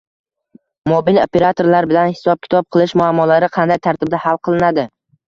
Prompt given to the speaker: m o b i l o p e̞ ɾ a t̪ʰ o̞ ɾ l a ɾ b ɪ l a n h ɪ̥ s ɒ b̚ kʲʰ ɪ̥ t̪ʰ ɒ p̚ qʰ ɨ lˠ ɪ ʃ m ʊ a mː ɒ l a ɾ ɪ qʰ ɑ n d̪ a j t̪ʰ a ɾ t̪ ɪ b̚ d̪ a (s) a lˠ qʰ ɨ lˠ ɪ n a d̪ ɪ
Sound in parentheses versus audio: incorrect: h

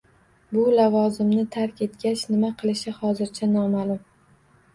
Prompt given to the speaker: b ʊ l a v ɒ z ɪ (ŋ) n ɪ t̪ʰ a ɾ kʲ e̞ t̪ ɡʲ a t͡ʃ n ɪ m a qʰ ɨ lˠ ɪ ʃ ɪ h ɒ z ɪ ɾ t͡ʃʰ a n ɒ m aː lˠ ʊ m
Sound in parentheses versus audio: incorrect: m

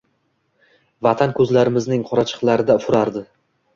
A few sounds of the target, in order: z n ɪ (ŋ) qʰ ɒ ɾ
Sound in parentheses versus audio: correct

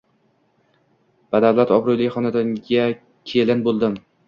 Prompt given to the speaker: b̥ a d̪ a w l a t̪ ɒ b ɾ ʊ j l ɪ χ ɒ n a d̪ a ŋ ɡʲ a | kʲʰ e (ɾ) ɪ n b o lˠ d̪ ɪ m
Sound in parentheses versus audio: incorrect: l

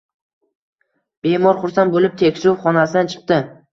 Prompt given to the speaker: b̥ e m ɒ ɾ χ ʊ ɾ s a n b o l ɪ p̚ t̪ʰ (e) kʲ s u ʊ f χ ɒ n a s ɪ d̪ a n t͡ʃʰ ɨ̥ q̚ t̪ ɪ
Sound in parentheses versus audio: correct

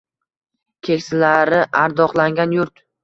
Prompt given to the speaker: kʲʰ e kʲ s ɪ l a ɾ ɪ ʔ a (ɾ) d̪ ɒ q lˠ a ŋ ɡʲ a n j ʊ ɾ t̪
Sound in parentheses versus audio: correct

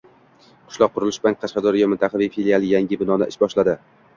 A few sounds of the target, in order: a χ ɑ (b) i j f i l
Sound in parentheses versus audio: incorrect: v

